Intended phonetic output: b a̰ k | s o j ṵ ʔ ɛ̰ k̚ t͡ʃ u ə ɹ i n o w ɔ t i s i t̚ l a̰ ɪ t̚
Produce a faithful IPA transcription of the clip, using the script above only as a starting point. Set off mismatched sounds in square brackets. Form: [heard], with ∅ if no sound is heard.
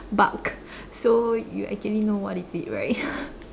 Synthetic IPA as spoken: b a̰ k | s o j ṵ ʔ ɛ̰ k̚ t͡ʃ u ə [l] i n o w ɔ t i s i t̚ [ɹ] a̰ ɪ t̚